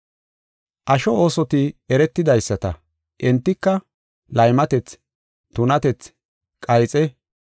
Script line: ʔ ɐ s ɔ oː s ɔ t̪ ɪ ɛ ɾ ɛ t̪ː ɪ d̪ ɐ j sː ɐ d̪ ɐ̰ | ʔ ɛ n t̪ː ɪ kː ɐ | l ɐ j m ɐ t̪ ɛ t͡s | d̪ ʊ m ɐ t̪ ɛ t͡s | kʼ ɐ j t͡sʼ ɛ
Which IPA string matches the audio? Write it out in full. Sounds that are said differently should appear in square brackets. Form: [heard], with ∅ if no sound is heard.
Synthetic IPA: ʔ ɐ [ʃ] ɔ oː s ɔ t̪ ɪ ɛ ɾ ɛ t̪ː ɪ d̪ ɐ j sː ɐ [t̪] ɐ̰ | ʔ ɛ n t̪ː ɪ kː ɐ | l ɐ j m ɐ t̪ ɛ t͡s | [t̪] ʊ [n] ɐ t̪ ɛ t͡s | kʼ ɐ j t͡sʼ ɛ

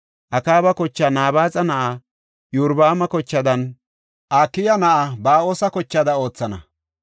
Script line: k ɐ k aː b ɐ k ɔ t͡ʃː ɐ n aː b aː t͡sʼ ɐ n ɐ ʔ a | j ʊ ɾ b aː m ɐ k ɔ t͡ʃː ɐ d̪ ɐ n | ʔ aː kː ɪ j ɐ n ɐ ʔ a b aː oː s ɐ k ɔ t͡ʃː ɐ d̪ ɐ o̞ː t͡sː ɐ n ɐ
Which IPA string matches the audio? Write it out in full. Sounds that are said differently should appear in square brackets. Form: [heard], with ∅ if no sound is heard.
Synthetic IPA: [ʔ] ɐ k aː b ɐ k ɔ t͡ʃː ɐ n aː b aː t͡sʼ ɐ n ɐ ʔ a | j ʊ ɾ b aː m ɐ k ɔ t͡ʃː ɐ d̪ ɐ n | ʔ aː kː ɪ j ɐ n ɐ ʔ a b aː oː s ɐ k ɔ t͡ʃː ɐ d̪ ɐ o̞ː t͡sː ɐ n ɐ

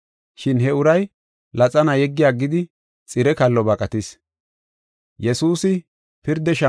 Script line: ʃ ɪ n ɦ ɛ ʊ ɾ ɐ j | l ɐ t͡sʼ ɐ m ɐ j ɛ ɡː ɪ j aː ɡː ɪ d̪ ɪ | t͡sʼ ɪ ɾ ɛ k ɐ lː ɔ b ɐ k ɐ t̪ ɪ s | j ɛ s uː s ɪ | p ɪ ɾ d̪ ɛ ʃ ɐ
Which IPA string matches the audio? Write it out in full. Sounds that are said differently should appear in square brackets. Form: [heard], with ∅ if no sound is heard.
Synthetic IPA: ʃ ɪ n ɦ ɛ ʊ ɾ ɐ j | l ɐ t͡sʼ ɐ [n] ɐ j ɛ ɡː ɪ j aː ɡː ɪ d̪ ɪ | t͡sʼ ɪ ɾ ɛ k ɐ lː ɔ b ɐ [kʼ] ɐ t̪ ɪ s | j ɛ s uː s ɪ | p ɪ ɾ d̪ ɛ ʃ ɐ

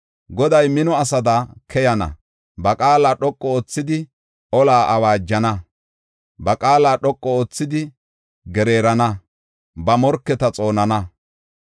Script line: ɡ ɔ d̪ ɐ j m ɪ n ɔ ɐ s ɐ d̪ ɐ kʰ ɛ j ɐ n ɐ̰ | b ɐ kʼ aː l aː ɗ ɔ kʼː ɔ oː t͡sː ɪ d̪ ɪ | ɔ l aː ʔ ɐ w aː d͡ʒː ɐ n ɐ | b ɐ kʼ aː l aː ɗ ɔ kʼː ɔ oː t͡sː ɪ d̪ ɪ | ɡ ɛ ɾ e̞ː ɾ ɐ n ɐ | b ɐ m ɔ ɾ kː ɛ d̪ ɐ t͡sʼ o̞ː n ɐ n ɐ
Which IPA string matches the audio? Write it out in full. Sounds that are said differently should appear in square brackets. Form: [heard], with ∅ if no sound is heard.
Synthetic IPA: ɡ ɔ d̪ ɐ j m ɪ n ɔ ɐ s ɐ d̪ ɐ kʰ ɛ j ɐ n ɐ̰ | b ɐ kʼ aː l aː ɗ ɔ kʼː ɔ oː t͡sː ɪ d̪ ɪ | ɔ l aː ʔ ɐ w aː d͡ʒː ɐ n ɐ | b ɐ kʼ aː l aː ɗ ɔ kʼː ɔ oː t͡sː ɪ d̪ ɪ | ɡ ɛ ɾ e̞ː ɾ ɐ n ɐ | b ɐ m ɔ ɾ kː ɛ [t̪] ɐ t͡sʼ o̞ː n ɐ n ɐ

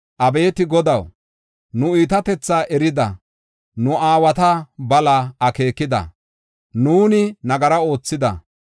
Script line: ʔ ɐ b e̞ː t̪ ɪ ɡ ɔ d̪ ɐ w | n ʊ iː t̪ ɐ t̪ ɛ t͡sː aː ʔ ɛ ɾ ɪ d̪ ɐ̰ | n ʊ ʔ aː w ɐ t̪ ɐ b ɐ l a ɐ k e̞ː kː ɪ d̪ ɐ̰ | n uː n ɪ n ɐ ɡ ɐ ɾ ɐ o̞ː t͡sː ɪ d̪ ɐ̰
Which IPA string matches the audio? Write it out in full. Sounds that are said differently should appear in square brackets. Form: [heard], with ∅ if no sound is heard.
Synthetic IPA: ʔ ɐ b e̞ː t̪ ɪ ɡ ɔ d̪ ɐ w | n ʊ iː t̪ ɐ t̪ ɛ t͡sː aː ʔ ɛ ɾ ɪ d̪ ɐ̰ | n ʊ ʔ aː w ɐ t̪ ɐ b ɐ l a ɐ k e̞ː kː ɪ d̪ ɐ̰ | n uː n ɪ n ɐ ɡ ɐ ɾ ɐ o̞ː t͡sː ɪ d̪ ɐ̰

